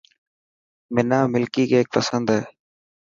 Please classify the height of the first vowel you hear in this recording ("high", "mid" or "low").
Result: high